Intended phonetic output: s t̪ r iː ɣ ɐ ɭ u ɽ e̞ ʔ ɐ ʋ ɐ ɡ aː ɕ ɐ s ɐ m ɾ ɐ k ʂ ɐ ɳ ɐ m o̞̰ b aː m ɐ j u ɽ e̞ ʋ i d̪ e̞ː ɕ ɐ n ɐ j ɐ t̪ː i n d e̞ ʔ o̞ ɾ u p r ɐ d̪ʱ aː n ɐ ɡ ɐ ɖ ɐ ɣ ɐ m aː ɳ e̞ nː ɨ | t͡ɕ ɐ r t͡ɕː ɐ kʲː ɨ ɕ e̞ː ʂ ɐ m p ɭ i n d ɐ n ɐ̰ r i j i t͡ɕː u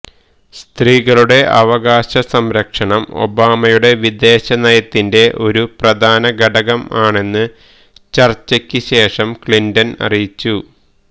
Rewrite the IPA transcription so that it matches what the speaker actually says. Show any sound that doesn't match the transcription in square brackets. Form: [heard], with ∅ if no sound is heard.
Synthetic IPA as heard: s t̪ r iː ɣ ɐ ɭ u ɽ e̞ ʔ ɐ ʋ ɐ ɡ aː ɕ ɐ s ɐ m ɾ ɐ k ʂ ɐ ɳ ɐ m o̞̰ b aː m ɐ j u ɽ e̞ ʋ i d̪ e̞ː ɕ ɐ n ɐ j ɐ t̪ː i n d e̞ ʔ o̞ ɾ u p r ɐ d̪ʱ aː n ɐ ɡ ɐ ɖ ɐ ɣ ɐ m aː ɳ e̞ nː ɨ | t͡ɕ ɐ r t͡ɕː ɐ kʲː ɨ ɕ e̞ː ʂ ɐ m [k] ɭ i n d ɐ n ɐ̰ r i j i t͡ɕː u